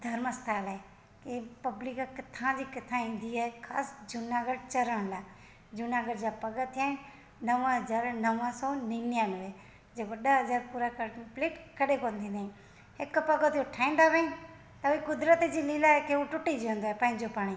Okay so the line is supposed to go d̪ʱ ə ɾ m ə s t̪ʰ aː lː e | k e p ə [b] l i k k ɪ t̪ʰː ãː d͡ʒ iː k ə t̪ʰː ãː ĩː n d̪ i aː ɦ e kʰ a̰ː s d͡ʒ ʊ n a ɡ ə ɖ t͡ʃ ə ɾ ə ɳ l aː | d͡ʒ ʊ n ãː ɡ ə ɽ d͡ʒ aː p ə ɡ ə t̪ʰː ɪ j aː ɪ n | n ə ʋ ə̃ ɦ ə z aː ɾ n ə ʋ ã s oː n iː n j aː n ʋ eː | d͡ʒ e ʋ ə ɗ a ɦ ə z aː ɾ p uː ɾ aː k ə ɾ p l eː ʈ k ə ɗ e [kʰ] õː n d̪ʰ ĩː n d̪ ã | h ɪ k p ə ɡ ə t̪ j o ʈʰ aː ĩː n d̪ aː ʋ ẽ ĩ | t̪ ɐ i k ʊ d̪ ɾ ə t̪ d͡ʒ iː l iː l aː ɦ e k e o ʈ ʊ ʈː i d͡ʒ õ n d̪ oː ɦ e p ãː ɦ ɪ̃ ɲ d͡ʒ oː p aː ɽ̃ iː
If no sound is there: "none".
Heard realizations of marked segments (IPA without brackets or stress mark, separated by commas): b, k